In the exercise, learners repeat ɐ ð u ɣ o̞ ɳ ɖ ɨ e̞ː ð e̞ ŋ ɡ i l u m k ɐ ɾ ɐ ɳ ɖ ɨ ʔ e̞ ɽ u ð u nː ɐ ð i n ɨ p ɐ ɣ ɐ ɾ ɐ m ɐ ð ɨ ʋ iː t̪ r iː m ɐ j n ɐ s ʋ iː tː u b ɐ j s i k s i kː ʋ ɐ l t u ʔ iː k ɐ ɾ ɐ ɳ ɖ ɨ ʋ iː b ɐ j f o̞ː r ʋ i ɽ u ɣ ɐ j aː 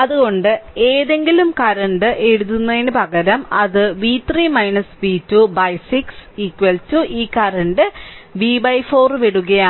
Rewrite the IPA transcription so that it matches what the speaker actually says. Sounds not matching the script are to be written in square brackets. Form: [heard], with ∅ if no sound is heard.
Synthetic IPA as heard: ɐ ð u ɣ o̞ ɳ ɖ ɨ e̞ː ð e̞ ŋ ɡ i l u m k ɐ ɾ ɐ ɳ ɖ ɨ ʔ e̞ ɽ u ð u nː ɐ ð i n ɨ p ɐ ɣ ɐ ɾ ɐ m ɐ ð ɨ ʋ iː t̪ r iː m ɐ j n ɐ s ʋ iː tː u b ɐ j s i k s i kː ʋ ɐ l t u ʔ iː k ɐ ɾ ɐ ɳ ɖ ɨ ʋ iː b ɐ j f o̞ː r ʋ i ɽ u ɣ ɐ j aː

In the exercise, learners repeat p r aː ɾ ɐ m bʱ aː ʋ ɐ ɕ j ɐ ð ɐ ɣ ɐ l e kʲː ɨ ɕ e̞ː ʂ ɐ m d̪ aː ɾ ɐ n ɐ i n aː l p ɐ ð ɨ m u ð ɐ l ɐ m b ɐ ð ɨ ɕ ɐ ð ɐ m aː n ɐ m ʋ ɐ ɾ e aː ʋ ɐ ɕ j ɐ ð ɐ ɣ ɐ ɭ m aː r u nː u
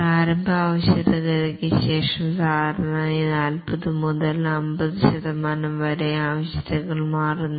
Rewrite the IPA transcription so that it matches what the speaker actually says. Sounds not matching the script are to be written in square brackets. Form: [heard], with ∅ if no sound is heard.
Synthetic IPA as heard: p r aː ɾ ɐ m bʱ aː ʋ ɐ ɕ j ɐ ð ɐ ɣ ɐ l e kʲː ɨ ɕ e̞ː ʂ ɐ m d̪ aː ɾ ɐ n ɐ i n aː l p ɐ ð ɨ m u ð ɐ l ɐ m b ɐ ð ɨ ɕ ɐ ð ɐ m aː n ɐ m ʋ ɐ ɾ e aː ʋ ɐ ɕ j ɐ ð ɐ ɣ ɐ ɭ m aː r u nː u

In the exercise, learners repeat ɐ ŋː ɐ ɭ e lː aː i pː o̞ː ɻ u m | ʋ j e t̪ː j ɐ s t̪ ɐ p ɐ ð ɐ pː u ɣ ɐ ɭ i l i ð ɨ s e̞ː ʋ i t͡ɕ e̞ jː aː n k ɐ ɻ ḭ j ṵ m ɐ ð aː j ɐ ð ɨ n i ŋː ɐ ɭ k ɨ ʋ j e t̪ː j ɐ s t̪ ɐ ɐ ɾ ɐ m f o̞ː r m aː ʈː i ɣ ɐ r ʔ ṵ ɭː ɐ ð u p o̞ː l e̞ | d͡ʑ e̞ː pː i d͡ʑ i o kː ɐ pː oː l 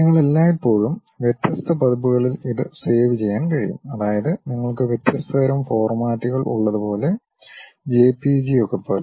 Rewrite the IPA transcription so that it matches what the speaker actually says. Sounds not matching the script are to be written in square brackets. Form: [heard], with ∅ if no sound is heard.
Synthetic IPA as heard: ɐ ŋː ɐ ɭ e lː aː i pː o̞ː ɻ u m | ʋ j e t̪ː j ɐ s t̪ ɐ p ɐ ð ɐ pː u ɣ ɐ ɭ i l i ð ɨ s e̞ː ʋ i t͡ɕ e̞ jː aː n k ɐ ɻ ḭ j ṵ m ɐ ð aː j ɐ ð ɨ n i ŋː ɐ ɭ k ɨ ʋ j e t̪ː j ɐ s t̪ ɐ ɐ ɾ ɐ m f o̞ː r m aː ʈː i ɣ ɐ [ɭ] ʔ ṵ ɭː ɐ ð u p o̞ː l e̞ | d͡ʑ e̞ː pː i d͡ʑ i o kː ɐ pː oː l

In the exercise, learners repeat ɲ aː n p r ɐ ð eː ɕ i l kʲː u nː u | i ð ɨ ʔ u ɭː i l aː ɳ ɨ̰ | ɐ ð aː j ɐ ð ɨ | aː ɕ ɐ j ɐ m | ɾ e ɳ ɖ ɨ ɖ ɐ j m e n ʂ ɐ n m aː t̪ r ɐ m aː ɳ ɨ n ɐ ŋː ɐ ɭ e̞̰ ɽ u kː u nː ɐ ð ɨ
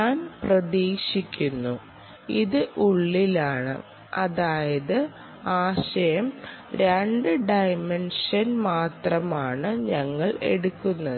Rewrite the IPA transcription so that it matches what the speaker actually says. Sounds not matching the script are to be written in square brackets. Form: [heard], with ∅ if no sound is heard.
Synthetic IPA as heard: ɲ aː n p r ɐ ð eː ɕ i [∅] kʲː u nː u | i ð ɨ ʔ u ɭː i l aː ɳ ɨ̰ | ɐ ð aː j ɐ ð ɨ | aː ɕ ɐ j ɐ m | ɾ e ɳ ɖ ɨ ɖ ɐ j m e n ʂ ɐ n m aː t̪ r ɐ m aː ɳ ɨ [ɲ] ɐ ŋː ɐ ɭ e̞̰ ɽ u kː u nː ɐ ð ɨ

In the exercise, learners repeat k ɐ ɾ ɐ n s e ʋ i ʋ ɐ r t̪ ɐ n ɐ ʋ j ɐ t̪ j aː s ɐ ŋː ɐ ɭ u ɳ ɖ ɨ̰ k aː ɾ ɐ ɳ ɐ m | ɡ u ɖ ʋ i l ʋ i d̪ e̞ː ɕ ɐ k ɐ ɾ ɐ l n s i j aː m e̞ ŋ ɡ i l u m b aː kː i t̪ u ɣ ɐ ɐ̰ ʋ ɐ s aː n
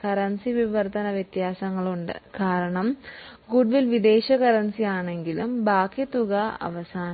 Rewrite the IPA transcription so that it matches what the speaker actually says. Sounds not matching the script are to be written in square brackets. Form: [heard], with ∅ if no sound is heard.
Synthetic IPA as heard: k ɐ ɾ ɐ n s [i] ʋ i ʋ ɐ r t̪ ɐ n ɐ ʋ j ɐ t̪ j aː s ɐ ŋː ɐ ɭ u ɳ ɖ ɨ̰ k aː ɾ ɐ ɳ ɐ m | ɡ u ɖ ʋ i l ʋ i d̪ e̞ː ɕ ɐ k ɐ ɾ ɐ [∅] n s i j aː [ɳ] e̞ ŋ ɡ i l u m b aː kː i t̪ u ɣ ɐ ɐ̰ ʋ ɐ s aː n

